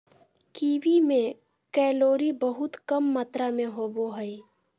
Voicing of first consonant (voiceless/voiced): voiceless